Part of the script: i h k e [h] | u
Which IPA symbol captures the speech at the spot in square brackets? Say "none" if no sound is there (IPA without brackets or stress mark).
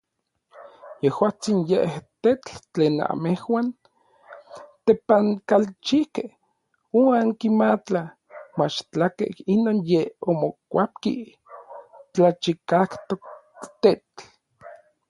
h